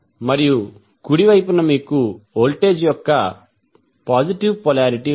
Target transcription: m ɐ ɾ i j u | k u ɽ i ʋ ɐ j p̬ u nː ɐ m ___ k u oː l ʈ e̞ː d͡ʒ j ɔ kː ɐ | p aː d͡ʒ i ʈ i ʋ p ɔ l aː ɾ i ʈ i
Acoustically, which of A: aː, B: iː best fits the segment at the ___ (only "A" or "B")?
B